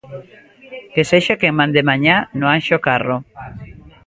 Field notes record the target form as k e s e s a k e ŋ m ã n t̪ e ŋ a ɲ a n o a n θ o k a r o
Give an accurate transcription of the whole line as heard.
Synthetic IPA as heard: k e s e ʃ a k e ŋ m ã n d̪ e m a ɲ a n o a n ʃ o k a r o

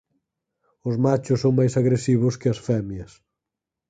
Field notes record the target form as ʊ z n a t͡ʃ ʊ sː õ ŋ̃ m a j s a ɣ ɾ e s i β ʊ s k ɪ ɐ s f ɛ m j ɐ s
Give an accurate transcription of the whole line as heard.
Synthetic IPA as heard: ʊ z m a t͡ʃ ʊ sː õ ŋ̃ m a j s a ɣ ɾ e s i β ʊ s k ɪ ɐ s f ɛ m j ɐ s

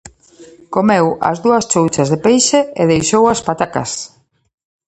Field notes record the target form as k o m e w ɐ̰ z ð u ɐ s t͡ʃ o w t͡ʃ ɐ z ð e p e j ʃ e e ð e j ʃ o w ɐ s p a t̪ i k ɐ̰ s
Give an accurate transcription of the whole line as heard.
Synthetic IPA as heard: k o m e w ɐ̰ z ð u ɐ s t͡ʃ o w t͡ʃ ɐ z ð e p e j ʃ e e ð e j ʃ o w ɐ s p a t̪ a k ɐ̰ s

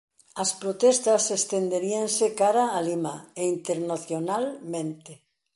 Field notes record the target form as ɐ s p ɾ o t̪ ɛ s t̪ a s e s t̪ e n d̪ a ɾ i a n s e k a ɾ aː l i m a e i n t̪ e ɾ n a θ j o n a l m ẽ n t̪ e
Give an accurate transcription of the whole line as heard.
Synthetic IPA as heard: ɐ s p ɾ o t̪ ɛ s t̪ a s e s t̪ e n d̪ e ɾ i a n s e k a ɾ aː l i m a e i n t̪ e ɾ n a θ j o n a l m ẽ n t̪ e

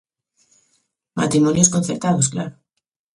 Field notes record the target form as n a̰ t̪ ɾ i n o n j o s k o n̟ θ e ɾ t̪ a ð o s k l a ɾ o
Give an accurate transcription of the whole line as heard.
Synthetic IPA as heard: m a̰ t̪ ɾ i m o n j o s k o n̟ θ e ɾ t̪ a ð o s k l a ɾ o

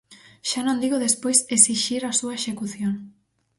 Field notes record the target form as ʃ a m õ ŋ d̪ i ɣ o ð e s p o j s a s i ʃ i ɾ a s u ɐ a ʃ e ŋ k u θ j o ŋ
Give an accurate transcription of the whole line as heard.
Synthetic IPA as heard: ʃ a n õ n d̪ i ɣ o ð e s p o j s e s i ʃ i ɾ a s u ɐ e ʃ e k u θ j o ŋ

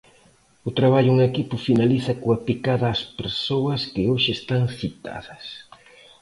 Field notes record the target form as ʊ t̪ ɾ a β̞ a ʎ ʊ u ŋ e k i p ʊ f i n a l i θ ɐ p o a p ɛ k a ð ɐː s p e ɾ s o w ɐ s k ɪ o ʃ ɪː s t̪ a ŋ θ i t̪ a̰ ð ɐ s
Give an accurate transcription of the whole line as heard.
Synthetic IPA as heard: ʊ t̪ ɾ a β̞ a ʎ ʊ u ŋ e k i p ʊ f i n a l i θ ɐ k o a p i k a ð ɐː s p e ɾ s o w ɐ s k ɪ o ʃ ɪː s t̪ a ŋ θ i t̪ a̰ ð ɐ s

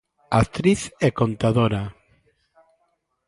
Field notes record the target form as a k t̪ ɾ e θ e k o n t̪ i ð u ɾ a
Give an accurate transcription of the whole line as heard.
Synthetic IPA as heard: a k t̪ ɾ i θ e k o n t̪ a ð o ɾ a

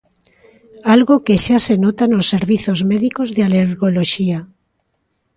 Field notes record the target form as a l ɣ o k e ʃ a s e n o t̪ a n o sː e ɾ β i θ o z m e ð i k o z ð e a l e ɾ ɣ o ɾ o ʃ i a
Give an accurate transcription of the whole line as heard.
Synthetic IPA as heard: a l ɣ o k e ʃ a s e n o t̪ a n o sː e ɾ β i θ o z m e ð i k o z ð e a l e ɾ ɣ o l o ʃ i a

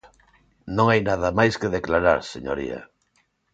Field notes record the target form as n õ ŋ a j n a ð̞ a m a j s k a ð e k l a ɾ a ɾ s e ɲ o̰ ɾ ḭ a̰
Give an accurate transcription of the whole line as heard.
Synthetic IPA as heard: n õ ŋ a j n a ð̞ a m a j s k e ð e k l a ɾ a ɾ s e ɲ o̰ ɾ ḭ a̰

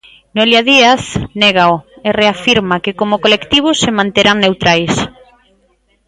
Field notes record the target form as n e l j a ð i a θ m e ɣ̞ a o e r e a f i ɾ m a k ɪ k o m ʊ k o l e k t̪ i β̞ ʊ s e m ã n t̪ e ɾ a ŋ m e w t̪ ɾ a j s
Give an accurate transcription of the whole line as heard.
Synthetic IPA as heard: n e l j a ð i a θ n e ɣ̞ a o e r e a f i ɾ m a k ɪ k o m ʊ k o l e k t̪ i β̞ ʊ s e m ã n t̪ e ɾ a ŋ n e w t̪ ɾ a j s

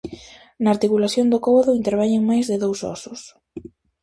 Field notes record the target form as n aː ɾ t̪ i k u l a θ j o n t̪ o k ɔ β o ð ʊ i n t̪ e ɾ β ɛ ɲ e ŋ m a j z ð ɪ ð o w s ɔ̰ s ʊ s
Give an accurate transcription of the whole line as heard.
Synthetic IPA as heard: n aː ɾ t̪ i k u l a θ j o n d̪ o k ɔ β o ð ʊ i n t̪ e ɾ β ɛ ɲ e ŋ m a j z ð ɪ ð o w s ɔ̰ s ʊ s

